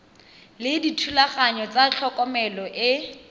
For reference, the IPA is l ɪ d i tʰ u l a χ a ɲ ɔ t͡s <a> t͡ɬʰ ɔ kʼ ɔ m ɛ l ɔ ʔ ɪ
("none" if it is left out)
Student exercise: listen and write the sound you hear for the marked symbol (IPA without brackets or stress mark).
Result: a